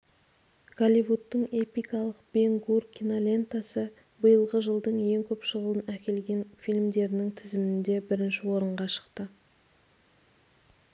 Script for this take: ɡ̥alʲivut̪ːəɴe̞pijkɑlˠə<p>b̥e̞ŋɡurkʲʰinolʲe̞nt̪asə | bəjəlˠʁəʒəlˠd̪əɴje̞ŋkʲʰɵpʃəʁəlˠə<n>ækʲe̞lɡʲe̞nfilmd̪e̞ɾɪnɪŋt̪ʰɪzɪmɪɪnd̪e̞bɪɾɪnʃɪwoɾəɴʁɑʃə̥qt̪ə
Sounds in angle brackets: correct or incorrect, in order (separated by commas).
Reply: incorrect, correct